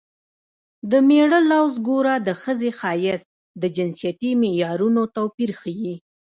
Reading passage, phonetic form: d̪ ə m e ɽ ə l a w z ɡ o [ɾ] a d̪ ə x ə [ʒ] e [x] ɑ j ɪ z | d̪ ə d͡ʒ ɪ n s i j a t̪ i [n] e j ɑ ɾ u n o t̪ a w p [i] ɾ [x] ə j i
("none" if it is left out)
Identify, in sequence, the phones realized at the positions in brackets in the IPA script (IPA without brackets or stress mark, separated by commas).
ɾ, z, x, m, i, x